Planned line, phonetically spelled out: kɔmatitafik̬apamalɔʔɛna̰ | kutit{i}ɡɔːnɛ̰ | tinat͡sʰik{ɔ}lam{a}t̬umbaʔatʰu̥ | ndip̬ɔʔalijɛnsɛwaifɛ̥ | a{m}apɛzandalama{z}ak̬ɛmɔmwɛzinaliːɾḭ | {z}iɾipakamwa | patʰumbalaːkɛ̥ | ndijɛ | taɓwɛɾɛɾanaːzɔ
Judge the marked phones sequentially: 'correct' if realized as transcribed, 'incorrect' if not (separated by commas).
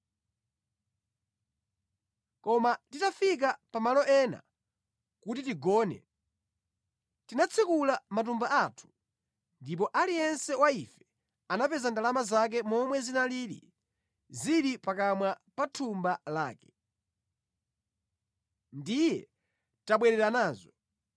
correct, incorrect, correct, incorrect, correct, correct